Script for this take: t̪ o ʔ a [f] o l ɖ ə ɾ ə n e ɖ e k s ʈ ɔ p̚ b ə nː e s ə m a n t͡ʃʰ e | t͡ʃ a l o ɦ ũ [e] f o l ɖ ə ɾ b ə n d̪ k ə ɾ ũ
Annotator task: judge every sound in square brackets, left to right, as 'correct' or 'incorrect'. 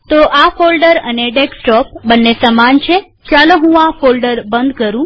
correct, incorrect: a

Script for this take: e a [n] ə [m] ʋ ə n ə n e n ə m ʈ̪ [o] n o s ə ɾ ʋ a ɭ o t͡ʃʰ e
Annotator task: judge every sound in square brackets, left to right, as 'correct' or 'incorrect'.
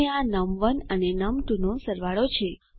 correct, correct, incorrect: u

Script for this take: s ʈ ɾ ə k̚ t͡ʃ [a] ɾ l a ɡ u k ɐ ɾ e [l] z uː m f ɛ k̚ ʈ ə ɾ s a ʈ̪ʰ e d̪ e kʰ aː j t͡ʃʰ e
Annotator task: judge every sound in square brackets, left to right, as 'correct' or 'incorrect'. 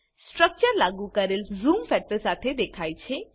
incorrect: ə, correct

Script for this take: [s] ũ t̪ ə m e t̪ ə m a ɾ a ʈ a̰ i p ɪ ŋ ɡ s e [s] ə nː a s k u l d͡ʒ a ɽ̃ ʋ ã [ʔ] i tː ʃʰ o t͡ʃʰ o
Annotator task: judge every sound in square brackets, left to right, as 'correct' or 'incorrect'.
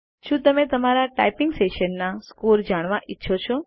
incorrect: ʃ, incorrect: ʃ, correct

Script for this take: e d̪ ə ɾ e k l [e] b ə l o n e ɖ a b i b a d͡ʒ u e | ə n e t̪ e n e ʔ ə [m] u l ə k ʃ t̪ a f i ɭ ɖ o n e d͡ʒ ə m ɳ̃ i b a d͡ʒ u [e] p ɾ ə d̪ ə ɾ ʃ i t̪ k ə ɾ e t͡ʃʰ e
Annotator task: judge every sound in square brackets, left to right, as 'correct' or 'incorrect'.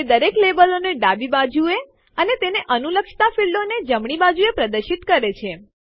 correct, incorrect: n, correct

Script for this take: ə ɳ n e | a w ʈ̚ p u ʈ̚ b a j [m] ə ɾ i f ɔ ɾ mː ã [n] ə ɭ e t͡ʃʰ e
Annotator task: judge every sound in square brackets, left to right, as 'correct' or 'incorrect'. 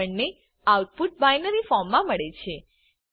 incorrect: n, incorrect: m

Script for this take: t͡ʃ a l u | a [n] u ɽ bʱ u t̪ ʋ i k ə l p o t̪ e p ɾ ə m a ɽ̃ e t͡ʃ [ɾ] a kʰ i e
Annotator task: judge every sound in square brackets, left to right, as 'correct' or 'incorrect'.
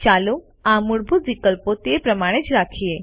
incorrect: m, correct

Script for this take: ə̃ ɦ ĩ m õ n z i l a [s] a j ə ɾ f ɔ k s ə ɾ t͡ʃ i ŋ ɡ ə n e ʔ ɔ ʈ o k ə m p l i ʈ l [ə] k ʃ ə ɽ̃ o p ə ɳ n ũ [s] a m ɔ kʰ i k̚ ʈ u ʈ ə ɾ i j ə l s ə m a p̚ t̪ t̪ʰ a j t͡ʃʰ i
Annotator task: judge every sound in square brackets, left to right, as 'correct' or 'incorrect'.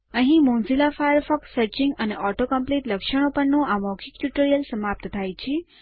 incorrect: f, correct, incorrect: none

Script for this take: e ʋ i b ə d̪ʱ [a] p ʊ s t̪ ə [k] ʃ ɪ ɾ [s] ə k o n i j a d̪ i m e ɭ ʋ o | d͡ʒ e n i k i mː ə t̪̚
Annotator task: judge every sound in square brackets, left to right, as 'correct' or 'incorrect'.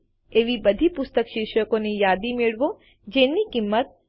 incorrect: i, correct, incorrect: ʃ

